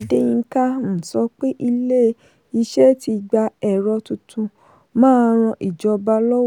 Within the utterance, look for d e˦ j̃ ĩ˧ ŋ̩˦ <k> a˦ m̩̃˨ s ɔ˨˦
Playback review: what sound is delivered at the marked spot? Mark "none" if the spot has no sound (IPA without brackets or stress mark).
k